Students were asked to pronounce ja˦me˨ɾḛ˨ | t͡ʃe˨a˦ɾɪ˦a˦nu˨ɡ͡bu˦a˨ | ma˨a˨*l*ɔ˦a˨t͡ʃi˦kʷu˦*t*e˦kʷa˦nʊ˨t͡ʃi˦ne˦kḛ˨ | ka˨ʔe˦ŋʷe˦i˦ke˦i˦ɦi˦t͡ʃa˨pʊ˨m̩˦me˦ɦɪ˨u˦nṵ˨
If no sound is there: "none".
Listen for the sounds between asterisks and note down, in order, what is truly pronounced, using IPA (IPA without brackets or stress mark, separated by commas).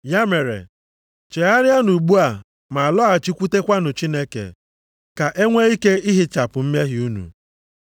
l, t